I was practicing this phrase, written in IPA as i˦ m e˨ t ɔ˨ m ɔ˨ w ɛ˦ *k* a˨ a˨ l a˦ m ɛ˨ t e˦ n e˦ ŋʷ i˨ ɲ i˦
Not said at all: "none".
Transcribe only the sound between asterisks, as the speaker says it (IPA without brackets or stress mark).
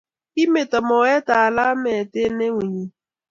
t